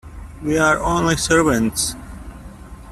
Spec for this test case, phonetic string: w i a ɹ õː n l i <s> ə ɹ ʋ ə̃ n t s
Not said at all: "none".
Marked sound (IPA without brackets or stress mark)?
s